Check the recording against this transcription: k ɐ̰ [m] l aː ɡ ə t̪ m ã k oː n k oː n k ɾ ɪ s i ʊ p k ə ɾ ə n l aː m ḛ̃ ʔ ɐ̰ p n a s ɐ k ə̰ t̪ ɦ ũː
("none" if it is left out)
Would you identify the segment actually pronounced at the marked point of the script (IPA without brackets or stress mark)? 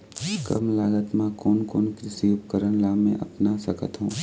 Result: m